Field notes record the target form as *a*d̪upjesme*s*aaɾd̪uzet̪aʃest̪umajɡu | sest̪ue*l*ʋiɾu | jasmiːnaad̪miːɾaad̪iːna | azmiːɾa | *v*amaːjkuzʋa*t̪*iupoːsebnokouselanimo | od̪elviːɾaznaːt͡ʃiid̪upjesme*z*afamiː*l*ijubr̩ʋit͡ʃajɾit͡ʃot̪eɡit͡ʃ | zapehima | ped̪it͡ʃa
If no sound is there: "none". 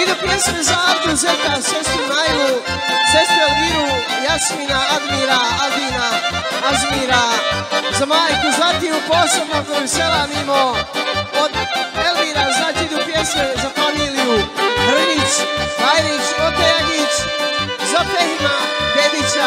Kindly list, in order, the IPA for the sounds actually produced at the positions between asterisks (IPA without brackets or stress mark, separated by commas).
i, z, l, z, t̪, z, l